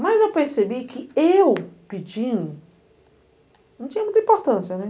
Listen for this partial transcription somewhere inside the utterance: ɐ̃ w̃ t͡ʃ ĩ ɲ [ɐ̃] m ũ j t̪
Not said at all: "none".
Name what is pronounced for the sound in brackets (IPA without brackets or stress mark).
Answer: ɐ